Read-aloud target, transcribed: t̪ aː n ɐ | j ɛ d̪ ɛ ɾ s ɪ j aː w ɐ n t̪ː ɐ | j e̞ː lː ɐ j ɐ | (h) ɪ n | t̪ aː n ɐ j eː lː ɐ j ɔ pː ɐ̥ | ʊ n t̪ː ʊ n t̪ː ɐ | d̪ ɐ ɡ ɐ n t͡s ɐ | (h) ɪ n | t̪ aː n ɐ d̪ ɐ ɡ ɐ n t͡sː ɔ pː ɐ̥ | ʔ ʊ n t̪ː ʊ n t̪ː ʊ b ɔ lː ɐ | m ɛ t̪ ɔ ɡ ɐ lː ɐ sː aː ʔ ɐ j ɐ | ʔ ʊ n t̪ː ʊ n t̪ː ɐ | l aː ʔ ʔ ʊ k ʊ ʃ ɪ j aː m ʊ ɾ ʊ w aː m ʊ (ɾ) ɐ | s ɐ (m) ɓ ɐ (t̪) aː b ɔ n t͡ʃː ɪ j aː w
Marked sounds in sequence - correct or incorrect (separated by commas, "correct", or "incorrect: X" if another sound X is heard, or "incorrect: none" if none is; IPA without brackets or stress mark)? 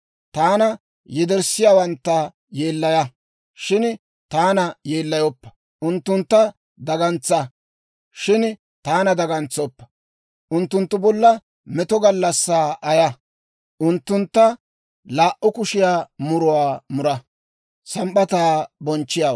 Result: incorrect: ʃ, incorrect: ʃ, correct, correct, correct